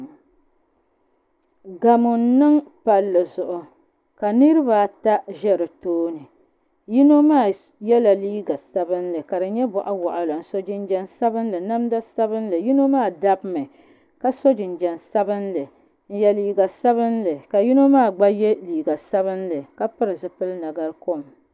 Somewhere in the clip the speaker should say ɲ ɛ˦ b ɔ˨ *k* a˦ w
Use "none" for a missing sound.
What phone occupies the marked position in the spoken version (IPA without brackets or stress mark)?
ʔ